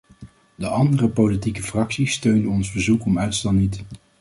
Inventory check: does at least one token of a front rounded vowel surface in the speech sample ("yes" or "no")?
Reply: yes